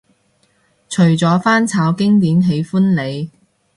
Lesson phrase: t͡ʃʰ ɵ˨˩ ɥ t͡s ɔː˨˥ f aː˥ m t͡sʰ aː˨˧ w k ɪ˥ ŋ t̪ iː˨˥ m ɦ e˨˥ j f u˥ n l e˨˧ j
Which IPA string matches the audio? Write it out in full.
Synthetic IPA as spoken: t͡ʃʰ ɵ˨˩ ɥ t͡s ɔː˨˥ f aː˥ n t͡sʰ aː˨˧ w k ɪ˥ ŋ t̪ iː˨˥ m ɦ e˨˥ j f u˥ n l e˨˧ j